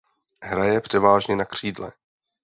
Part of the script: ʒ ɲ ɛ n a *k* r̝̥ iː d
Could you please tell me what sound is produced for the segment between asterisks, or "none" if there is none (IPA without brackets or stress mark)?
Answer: k